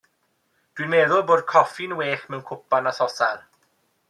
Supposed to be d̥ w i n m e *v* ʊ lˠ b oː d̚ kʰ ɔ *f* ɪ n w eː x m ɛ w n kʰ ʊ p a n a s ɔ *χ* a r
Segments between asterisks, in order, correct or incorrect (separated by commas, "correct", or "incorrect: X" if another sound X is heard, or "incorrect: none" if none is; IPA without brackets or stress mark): incorrect: ð, correct, incorrect: s